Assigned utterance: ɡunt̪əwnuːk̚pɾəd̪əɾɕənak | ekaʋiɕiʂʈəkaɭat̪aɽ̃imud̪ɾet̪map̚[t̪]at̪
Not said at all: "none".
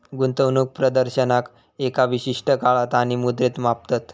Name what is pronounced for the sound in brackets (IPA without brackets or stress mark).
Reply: t̪